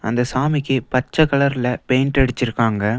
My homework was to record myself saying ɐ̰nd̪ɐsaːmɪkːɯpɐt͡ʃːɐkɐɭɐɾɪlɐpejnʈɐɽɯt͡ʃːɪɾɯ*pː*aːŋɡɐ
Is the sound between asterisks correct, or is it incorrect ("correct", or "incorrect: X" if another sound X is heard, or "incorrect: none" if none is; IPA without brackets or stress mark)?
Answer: incorrect: kː